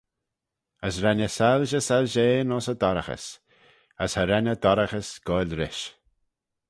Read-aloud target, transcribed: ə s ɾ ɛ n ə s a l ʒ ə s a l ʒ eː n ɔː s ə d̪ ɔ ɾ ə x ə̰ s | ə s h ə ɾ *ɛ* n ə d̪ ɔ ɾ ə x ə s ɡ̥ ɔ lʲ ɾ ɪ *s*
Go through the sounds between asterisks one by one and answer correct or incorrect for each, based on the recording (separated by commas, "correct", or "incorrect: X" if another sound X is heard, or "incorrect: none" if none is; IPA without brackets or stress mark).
correct, incorrect: ʃ